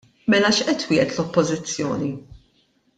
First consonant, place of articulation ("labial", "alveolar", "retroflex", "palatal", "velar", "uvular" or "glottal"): labial